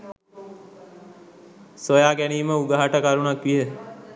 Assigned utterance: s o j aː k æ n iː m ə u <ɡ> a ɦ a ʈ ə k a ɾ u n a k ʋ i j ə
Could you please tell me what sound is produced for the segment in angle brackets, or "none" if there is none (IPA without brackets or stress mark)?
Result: ɡ